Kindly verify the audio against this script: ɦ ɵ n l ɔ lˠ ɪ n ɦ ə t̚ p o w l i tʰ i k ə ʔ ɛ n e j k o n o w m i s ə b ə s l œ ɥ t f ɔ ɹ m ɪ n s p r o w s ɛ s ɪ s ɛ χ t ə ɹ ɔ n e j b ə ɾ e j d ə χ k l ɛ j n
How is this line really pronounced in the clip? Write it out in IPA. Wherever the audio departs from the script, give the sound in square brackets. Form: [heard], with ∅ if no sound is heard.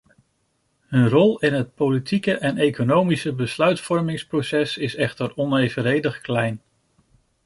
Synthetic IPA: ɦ ɵ n [r] ɔ lˠ ɪ n ɦ ə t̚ p o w l i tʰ i k ə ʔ ɛ n e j k o n o w m i s ə b ə s l œ ɥ t f ɔ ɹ m ɪ [ŋ] s p r o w s ɛ s ɪ s ɛ χ t ə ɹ ɔ n e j [v] ə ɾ e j d ə χ k l ɛ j n